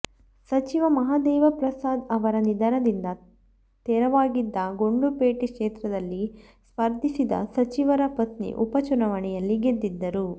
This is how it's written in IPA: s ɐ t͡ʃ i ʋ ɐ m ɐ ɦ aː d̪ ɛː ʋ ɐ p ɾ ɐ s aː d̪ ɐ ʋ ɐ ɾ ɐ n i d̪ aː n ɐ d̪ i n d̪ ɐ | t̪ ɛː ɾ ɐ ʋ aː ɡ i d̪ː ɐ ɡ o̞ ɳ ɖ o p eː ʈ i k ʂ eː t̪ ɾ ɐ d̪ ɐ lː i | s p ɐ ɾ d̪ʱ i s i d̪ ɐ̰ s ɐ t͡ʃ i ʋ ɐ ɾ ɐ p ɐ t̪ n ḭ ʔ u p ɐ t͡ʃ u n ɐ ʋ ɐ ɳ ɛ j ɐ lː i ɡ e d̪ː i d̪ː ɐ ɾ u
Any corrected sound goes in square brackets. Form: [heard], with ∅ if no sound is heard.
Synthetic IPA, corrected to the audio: s ɐ t͡ʃ i ʋ ɐ m ɐ ɦ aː d̪ ɛː ʋ ɐ p ɾ ɐ s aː d̪ ɐ ʋ ɐ ɾ ɐ n i d̪ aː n ɐ d̪ i n d̪ ɐ | t̪ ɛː ɾ ɐ ʋ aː ɡ i d̪ː ɐ ɡ o̞ ɳ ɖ [u] p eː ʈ i k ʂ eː t̪ ɾ ɐ d̪ ɐ lː i | s p ɐ ɾ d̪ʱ i s i d̪ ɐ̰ s ɐ t͡ʃ i ʋ ɐ ɾ ɐ p ɐ t̪ n ḭ ʔ u p ɐ t͡ʃ u n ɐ ʋ ɐ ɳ ɛ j ɐ lː i ɡ e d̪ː i d̪ː ɐ ɾ u